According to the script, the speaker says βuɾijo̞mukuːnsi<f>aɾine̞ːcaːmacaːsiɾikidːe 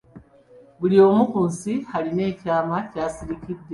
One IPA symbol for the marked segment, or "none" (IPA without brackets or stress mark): h